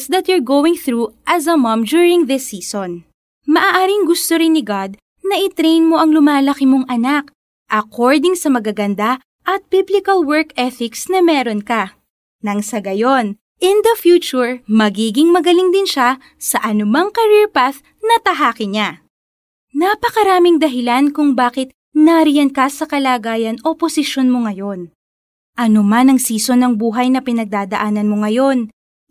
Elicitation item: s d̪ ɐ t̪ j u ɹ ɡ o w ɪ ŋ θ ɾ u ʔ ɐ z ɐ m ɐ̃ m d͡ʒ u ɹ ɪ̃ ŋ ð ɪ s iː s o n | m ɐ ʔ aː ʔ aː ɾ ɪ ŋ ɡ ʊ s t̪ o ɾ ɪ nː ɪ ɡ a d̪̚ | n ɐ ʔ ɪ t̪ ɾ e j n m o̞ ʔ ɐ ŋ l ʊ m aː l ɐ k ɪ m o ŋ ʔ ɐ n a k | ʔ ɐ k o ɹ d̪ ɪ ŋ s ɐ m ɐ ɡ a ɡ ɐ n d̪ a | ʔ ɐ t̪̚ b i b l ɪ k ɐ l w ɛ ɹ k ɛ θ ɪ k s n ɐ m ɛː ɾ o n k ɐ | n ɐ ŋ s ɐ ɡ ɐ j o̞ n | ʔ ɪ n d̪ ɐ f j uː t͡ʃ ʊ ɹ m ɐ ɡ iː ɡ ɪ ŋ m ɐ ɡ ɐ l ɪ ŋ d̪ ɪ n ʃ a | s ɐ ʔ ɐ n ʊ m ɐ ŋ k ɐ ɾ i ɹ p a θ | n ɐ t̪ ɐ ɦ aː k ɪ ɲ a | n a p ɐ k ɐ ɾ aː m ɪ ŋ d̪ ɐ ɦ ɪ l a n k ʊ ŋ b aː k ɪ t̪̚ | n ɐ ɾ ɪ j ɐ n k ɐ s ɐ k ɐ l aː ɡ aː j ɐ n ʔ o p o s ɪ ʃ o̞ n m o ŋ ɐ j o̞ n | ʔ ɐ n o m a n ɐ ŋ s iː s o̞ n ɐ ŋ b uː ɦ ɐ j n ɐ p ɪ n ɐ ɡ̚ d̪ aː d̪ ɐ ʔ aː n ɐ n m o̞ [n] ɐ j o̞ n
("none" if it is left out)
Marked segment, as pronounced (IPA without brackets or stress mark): ŋ